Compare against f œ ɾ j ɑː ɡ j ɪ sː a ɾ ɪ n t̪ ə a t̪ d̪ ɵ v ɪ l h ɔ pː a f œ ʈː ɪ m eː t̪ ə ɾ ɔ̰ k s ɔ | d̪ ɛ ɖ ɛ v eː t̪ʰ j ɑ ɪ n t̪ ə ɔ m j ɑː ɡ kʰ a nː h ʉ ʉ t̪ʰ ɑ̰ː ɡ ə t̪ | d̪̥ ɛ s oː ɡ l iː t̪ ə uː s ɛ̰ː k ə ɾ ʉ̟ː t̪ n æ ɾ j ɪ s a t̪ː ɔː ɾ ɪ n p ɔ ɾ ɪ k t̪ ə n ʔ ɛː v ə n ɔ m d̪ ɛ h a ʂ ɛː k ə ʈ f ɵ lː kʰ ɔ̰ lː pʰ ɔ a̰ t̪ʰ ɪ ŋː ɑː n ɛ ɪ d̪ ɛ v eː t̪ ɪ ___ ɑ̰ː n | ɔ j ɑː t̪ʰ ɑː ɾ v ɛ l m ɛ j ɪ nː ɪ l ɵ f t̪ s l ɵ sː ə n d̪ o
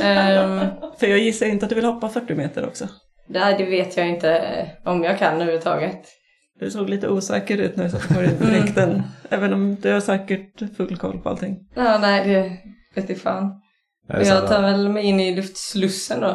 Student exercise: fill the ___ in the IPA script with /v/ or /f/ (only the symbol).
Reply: f